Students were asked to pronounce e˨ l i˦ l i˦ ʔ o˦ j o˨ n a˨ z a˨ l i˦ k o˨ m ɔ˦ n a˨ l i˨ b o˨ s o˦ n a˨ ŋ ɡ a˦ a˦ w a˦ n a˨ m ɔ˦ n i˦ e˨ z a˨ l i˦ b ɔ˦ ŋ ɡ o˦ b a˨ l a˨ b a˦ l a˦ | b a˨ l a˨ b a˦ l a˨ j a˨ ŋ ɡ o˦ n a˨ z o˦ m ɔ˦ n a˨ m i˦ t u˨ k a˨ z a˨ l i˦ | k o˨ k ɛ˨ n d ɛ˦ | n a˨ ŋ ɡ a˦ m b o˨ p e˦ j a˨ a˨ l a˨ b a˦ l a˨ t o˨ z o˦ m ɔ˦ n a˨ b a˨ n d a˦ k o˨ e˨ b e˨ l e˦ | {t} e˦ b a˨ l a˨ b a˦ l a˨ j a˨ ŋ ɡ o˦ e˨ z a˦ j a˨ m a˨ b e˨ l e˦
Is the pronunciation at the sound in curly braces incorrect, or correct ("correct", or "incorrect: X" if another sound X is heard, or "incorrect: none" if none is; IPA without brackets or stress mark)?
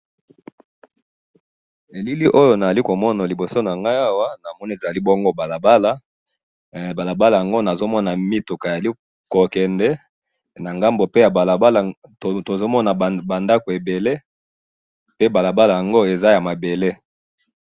incorrect: p